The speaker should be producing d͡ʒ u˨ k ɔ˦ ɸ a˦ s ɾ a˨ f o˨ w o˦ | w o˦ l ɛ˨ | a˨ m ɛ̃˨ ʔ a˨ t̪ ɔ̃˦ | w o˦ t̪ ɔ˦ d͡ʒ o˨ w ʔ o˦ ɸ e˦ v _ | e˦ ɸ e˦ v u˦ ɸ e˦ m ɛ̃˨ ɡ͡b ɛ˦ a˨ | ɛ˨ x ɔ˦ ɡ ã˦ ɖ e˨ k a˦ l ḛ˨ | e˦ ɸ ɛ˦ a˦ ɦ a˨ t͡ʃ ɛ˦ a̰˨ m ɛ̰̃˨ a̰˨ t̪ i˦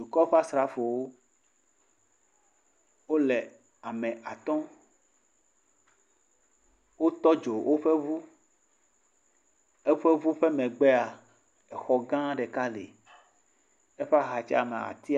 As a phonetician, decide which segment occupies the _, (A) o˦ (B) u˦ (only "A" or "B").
B